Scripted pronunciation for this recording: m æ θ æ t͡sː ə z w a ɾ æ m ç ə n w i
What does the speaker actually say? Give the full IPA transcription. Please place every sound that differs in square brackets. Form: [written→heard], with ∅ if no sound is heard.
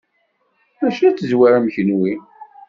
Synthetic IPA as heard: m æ [θ→ʃ] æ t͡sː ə z w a ɾ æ m ç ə n w i